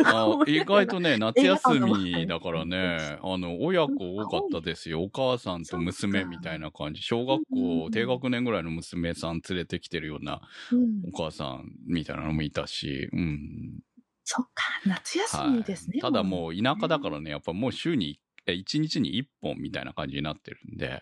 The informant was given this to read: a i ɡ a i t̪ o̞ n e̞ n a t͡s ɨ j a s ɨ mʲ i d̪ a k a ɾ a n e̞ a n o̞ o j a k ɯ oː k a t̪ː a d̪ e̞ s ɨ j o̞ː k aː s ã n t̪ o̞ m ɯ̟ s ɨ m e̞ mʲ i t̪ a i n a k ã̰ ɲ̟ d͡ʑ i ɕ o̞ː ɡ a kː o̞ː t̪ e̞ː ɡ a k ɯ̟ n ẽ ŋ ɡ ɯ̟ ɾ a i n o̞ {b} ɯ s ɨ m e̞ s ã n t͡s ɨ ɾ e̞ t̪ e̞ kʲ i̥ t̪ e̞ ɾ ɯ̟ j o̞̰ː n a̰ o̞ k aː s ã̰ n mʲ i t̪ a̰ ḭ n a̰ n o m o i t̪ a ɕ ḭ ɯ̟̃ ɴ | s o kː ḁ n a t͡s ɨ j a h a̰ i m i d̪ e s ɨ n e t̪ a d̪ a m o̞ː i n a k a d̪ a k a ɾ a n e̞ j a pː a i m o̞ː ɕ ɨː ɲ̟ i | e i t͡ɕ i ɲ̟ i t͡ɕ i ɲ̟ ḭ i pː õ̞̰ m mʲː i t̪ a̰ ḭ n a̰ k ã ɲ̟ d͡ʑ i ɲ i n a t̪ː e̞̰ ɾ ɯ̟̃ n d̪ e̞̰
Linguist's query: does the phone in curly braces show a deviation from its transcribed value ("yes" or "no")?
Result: yes